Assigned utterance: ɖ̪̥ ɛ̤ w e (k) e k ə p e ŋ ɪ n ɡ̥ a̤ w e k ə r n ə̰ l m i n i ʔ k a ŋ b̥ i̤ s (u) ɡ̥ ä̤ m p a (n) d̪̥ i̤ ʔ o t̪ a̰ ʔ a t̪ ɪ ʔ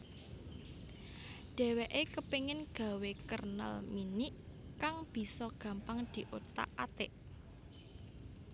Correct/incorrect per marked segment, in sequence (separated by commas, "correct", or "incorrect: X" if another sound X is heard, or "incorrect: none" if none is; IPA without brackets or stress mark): incorrect: ʔ, incorrect: ɔ, incorrect: ŋ